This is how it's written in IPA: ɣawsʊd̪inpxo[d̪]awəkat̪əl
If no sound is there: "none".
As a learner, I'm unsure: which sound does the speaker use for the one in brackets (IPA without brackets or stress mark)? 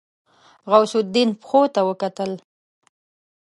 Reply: t̪